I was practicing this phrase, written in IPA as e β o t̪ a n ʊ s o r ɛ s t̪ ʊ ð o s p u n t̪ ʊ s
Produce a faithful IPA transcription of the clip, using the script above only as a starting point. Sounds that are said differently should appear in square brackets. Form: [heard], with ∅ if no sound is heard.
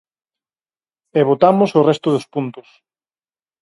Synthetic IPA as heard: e β o t̪ a [m] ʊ s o r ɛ s t̪ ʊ ð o s p u n t̪ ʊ s